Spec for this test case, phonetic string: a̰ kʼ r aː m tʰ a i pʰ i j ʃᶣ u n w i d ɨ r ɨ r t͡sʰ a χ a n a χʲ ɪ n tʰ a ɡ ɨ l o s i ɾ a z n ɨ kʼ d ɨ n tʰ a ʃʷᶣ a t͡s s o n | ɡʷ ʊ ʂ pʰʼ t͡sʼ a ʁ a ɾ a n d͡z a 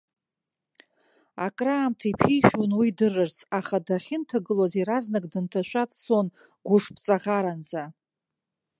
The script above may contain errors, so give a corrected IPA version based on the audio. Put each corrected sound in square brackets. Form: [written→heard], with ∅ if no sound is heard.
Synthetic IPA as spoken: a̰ kʼ r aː m tʰ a i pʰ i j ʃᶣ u n w i d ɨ r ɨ r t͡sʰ a χ a [n→d] a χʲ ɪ n tʰ a ɡ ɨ l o [s→z] i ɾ a z n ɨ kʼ d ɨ n tʰ a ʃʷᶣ a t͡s s o n | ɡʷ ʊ ʂ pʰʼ t͡sʼ a ʁ a ɾ a n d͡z a